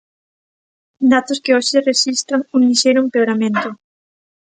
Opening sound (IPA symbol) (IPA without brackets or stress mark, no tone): d̪